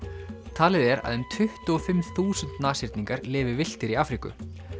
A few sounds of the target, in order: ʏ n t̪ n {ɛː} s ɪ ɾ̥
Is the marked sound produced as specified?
no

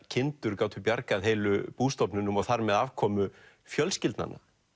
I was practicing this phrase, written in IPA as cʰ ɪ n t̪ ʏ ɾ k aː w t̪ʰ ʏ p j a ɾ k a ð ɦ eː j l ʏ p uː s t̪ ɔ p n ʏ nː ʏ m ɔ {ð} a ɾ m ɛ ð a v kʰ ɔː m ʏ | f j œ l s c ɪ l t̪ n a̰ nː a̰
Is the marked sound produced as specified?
no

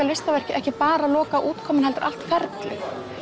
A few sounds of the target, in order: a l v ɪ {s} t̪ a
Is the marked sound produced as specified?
yes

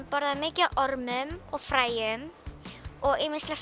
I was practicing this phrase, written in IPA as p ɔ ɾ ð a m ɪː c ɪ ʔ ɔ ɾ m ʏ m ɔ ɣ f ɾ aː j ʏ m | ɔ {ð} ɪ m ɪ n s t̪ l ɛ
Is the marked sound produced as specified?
no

